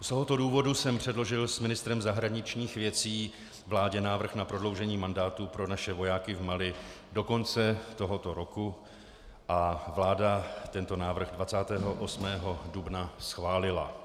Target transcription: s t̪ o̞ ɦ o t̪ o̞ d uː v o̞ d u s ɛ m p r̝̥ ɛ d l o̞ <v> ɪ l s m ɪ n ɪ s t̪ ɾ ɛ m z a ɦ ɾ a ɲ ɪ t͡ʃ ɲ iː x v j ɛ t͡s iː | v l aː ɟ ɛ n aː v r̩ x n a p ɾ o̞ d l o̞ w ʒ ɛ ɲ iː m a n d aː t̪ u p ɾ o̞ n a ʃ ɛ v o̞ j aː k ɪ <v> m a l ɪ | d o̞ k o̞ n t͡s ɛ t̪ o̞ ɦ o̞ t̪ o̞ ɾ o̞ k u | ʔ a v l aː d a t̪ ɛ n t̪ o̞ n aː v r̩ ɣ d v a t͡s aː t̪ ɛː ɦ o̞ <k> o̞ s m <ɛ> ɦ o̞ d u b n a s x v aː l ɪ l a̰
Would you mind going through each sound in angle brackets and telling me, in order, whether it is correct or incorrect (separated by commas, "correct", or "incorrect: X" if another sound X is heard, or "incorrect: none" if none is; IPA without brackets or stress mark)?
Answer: incorrect: ʒ, correct, incorrect: ʔ, incorrect: ɛː